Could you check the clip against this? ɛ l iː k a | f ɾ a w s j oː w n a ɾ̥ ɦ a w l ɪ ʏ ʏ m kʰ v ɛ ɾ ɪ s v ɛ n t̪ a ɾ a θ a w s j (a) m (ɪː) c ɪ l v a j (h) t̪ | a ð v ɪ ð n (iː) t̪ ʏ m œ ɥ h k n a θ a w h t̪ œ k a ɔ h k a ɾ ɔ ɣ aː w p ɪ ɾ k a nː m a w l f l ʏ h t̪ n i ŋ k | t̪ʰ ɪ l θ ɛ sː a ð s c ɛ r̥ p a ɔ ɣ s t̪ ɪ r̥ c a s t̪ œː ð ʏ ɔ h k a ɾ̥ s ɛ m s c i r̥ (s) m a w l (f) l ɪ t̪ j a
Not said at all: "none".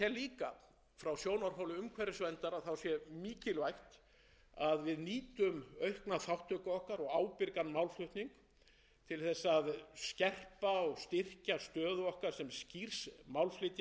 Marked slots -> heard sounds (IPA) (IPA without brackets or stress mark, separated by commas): ɛ, iː, h, iː, s, f